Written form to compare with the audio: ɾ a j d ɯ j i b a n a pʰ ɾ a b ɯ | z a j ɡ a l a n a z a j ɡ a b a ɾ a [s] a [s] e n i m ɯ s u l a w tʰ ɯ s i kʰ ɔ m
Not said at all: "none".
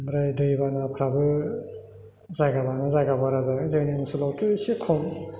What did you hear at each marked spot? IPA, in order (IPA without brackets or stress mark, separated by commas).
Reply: z, z